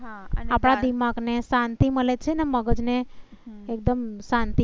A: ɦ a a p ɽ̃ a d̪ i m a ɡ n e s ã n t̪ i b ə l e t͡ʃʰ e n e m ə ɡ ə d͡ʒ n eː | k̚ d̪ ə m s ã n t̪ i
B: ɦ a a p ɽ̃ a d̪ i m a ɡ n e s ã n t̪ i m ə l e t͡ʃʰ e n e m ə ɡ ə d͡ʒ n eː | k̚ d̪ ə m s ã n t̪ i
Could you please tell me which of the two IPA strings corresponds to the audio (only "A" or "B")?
B